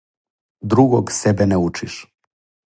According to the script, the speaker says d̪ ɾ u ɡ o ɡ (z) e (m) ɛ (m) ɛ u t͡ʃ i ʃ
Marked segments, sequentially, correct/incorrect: incorrect: s, incorrect: b, incorrect: n

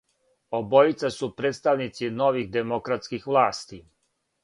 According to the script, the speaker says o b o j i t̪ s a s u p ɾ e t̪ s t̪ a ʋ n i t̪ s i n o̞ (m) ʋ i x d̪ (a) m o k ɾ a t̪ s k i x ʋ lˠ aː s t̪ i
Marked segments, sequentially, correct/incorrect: incorrect: none, incorrect: e

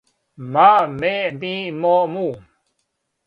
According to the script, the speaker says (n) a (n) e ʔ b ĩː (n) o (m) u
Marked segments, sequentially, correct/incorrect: incorrect: m, incorrect: m, incorrect: m, correct

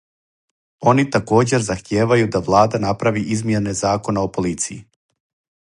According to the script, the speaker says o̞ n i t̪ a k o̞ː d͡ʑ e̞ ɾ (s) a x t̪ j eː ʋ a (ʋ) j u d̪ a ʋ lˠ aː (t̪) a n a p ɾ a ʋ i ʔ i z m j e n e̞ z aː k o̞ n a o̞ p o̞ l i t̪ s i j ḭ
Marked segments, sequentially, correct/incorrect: incorrect: z, incorrect: none, incorrect: d̪

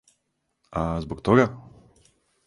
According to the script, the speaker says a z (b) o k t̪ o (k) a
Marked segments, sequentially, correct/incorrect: correct, incorrect: ɡ

